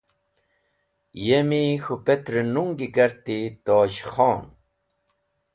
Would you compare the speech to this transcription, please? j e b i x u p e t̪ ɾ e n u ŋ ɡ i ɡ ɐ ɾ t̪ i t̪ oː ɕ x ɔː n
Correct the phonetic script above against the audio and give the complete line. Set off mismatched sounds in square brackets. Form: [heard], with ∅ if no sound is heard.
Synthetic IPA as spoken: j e [m] i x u p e t̪ ɾ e n u ŋ ɡ i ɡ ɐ ɾ t̪ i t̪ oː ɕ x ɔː n